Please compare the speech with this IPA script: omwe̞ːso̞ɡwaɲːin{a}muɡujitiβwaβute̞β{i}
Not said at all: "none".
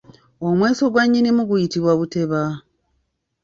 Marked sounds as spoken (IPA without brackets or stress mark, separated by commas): i, a